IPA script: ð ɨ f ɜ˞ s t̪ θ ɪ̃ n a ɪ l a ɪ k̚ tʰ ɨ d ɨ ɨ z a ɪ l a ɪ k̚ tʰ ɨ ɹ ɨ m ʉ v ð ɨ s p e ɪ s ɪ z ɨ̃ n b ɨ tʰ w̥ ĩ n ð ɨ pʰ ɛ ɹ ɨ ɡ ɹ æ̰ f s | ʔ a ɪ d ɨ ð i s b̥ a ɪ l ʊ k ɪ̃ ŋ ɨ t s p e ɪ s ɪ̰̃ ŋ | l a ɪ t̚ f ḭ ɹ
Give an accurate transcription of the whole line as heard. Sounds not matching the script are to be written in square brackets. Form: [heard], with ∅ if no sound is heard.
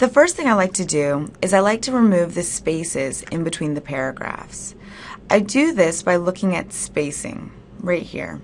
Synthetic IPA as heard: ð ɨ f ɜ˞ s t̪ θ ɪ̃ [ŋ] a ɪ l a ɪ k̚ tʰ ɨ d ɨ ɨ z a ɪ l a ɪ k̚ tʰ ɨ ɹ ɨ m ʉ v ð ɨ s p e ɪ s ɪ z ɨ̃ n b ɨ tʰ w̥ ĩ n ð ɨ pʰ ɛ ɹ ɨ ɡ ɹ æ̰ f s | ʔ a ɪ d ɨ ð [ɪ] s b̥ a ɪ l ʊ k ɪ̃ ŋ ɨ t s p e ɪ s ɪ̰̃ ŋ | [ɹ] a ɪ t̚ [h] ḭ ɹ